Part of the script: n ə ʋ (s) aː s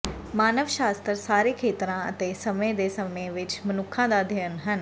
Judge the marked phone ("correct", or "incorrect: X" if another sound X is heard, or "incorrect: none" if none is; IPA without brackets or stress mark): incorrect: ʃ